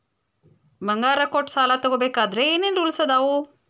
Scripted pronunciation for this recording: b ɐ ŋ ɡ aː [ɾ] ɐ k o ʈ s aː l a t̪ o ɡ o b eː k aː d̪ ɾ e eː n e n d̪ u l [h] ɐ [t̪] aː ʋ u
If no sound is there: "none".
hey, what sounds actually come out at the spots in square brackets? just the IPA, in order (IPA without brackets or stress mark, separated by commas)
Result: ɾ, s, d̪